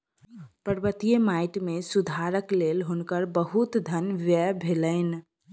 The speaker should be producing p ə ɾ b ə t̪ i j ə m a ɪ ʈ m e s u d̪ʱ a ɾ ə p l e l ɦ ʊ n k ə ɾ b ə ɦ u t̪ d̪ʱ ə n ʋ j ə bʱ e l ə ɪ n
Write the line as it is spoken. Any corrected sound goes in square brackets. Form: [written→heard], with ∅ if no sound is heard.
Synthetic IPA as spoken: p ə ɾ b ə t̪ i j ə m a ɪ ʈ m e s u d̪ʱ a ɾ ə [p→k] l e l ɦ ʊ n k ə ɾ b ə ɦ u t̪ d̪ʱ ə n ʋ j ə bʱ e l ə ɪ n